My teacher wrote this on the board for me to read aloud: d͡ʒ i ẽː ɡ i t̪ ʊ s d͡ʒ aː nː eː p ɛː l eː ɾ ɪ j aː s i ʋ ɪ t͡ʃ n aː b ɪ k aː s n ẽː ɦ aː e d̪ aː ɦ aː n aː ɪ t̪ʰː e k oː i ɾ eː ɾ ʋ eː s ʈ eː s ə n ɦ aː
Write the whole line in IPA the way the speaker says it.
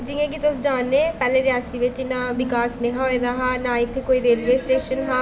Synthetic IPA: d͡ʒ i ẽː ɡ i t̪ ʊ s d͡ʒ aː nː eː p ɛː l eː ɾ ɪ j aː s i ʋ ɪ t͡ʃ n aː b ɪ k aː s n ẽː ɦ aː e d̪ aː ɦ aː n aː ɪ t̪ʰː e k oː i ɾ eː l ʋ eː s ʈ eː ʃ ə n ɦ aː